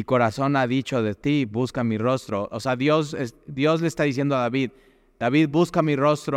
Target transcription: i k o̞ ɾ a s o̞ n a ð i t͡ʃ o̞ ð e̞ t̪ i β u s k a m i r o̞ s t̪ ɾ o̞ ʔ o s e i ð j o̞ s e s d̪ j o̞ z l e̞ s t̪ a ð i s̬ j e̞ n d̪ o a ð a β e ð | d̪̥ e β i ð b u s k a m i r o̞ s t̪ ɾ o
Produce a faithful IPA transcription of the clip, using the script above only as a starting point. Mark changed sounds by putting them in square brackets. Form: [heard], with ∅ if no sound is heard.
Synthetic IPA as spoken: i k o̞ ɾ a s o̞ n a ð i t͡ʃ o̞ ð e̞ t̪ i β u s k a m i r o̞ s t̪ ɾ o̞ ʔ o s e [a] ð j o̞ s e s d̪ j o̞ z l e̞ s t̪ a ð i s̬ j e̞ n d̪ o a ð a β [i] ð | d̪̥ [a] β i ð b u s k a m i r o̞ s t̪ ɾ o